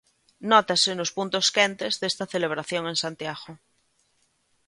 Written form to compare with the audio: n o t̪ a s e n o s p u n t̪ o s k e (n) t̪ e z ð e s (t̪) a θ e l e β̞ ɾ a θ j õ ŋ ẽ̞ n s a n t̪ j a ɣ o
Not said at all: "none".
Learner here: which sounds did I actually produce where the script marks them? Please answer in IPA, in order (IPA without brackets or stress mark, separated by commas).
n, t̪